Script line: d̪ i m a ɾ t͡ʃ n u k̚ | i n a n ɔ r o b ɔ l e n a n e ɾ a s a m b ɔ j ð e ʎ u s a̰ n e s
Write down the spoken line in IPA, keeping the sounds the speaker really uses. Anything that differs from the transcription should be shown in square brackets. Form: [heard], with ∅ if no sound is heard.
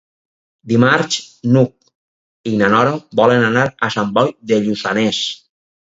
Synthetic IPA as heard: d̪ i m a ɾ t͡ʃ n u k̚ | i n a n ɔ [ɾ] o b ɔ l e n a n [a] ɾ a s a m b ɔ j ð e ʎ u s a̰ n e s